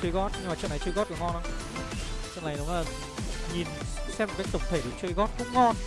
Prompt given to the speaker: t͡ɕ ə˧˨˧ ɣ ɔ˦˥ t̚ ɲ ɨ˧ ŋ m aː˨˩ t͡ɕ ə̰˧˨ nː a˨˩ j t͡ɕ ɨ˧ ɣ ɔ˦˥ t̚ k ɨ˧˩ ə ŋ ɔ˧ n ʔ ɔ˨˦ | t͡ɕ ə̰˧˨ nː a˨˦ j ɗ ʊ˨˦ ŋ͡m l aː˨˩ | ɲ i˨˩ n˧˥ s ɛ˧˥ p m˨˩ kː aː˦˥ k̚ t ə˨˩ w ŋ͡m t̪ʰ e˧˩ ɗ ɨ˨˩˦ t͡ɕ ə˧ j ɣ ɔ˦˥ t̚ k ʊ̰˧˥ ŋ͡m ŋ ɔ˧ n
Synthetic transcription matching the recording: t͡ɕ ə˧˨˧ ɣ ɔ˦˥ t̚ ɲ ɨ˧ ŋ m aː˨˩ t͡ɕ ə̰˧˨ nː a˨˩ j t͡ɕ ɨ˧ ɣ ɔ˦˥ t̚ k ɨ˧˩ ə ŋ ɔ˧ n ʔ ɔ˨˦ | t͡ɕ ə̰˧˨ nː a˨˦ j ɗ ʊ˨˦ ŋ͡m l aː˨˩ | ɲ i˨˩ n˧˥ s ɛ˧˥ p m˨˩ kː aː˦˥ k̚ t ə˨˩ w ŋ͡m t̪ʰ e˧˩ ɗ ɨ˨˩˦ t͡ɕ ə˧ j ɣ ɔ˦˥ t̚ k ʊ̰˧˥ ŋ͡m ŋ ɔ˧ n